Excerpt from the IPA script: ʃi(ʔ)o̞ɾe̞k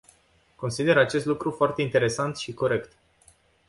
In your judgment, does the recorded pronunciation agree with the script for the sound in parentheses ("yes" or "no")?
no